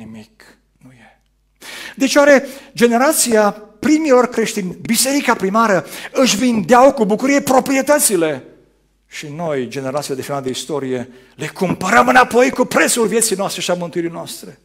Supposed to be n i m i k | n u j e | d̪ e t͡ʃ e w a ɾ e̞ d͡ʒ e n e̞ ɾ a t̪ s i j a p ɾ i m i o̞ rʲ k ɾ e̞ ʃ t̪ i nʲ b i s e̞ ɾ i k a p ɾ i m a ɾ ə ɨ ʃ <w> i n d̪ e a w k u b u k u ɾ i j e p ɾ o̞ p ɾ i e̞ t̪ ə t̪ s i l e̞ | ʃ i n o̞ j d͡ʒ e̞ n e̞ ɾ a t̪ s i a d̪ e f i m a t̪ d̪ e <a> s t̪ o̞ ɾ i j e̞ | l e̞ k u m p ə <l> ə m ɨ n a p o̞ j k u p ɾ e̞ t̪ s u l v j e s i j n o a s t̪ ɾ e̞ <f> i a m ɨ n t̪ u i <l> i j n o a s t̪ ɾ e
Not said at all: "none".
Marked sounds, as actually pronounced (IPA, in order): v, i, ɾ, ʃ, ɾ

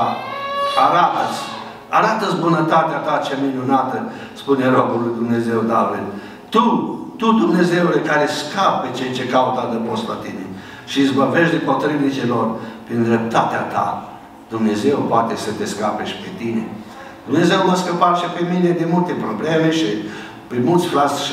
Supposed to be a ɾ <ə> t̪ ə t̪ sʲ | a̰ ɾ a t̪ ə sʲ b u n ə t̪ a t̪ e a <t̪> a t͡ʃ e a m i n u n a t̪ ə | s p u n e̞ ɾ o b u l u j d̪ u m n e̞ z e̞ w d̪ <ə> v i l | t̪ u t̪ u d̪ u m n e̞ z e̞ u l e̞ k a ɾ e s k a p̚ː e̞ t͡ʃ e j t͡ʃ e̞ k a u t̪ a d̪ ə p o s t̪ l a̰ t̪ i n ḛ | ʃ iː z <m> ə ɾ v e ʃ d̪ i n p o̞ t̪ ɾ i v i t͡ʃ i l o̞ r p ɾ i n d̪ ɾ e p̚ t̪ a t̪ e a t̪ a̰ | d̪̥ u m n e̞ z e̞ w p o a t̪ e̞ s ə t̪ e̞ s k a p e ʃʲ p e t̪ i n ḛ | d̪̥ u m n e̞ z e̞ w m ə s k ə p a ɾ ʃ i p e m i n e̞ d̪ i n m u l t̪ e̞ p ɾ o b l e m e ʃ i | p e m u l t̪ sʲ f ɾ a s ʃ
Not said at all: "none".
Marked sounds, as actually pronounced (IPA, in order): a, t̪, a, b

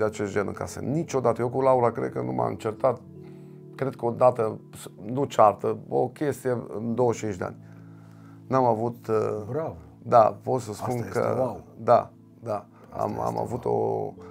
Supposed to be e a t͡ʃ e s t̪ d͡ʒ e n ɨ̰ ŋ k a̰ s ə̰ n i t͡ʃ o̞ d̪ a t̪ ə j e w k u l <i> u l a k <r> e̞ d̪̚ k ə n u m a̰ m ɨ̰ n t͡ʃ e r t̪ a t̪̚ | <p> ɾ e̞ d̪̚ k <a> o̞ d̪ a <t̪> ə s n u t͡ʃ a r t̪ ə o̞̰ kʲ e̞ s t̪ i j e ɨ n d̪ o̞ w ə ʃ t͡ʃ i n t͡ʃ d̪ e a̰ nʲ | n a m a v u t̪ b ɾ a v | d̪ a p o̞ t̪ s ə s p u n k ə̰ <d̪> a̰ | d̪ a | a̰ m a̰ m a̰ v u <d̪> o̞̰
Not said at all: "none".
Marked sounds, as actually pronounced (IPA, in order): a, ɾ, k, ə, t̪, d̪, t̪

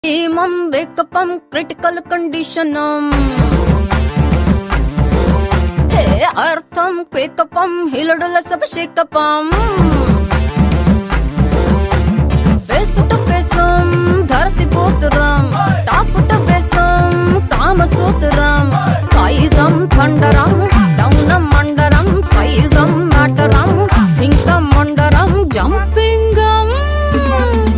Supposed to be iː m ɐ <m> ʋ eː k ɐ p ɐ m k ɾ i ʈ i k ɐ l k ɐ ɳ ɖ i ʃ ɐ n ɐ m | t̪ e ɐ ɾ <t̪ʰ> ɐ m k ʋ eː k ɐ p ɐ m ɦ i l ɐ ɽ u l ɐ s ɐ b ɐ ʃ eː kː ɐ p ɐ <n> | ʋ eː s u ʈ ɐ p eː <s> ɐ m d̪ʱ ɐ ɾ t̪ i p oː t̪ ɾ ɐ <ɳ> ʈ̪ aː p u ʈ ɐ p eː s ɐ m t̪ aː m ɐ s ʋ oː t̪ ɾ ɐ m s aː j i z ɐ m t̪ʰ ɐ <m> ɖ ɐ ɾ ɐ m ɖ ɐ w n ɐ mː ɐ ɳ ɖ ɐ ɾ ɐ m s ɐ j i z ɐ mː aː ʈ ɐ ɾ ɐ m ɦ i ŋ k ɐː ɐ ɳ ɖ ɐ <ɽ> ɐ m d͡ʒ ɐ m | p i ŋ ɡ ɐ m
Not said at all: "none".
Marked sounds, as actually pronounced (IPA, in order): m, t̪ʰ, m, s, m, ɳ, ɾ

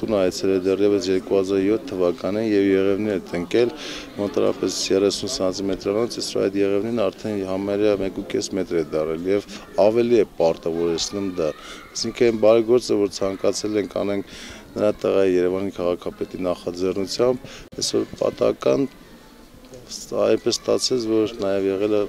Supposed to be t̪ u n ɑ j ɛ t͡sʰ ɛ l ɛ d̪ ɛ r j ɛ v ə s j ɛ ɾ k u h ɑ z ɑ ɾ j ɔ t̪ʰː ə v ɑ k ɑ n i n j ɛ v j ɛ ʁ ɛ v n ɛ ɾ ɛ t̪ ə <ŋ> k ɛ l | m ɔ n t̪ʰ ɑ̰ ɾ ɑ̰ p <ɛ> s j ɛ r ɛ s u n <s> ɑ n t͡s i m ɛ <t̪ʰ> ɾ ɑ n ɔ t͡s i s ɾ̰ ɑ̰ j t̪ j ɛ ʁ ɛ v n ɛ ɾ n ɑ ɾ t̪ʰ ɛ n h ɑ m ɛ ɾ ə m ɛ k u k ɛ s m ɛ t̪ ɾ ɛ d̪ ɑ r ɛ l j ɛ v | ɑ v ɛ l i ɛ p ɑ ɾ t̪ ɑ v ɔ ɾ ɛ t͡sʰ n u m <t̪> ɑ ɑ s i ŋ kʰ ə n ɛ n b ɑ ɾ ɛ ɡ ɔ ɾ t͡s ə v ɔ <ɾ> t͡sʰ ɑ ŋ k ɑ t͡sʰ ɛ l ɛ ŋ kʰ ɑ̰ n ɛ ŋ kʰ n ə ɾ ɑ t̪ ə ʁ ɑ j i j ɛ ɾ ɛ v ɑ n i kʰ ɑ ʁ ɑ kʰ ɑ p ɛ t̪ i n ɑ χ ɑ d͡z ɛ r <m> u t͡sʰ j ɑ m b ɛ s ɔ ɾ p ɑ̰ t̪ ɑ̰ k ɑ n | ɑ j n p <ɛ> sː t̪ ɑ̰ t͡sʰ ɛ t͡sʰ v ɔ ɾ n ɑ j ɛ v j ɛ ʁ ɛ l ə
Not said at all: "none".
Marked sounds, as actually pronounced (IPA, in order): ŋ, ɛ, s, t̪, d̪, ɾ, n, ɛ

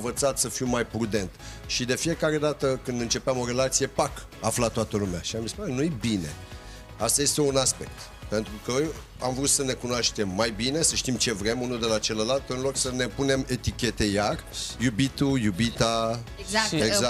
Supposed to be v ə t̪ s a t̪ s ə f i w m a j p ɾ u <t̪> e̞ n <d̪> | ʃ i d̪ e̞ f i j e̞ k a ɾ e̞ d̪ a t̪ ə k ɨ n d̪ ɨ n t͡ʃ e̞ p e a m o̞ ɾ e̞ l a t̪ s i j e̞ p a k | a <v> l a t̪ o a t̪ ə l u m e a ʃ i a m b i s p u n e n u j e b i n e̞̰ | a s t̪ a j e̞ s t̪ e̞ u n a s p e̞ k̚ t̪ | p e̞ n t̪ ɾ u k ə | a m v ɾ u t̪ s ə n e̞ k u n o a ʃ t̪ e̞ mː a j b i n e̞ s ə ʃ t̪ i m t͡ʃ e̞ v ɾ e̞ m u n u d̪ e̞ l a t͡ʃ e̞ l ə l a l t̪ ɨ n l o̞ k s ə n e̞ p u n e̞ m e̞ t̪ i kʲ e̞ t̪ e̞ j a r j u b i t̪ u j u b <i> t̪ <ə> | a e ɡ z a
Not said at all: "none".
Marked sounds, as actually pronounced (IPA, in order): d̪, t̪, f, i, a

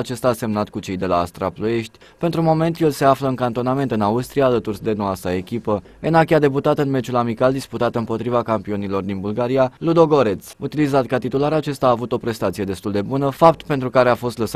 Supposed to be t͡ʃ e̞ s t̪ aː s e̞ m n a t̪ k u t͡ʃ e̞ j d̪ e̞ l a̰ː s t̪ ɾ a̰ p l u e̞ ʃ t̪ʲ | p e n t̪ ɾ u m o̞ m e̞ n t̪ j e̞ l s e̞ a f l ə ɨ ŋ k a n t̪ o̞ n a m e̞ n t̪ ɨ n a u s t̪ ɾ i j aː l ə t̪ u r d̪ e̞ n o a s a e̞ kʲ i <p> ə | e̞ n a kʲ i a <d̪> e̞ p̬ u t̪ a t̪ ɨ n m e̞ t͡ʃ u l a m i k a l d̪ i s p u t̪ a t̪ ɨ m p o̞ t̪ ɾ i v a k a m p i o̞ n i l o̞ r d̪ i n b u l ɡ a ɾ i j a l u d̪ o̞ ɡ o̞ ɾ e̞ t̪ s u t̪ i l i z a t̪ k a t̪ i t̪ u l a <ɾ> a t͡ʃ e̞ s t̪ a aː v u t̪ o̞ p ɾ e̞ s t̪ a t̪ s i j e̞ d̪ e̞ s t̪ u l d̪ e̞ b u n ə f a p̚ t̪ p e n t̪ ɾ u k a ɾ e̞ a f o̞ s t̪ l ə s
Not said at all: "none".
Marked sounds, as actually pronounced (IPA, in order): p, d̪, ɾ

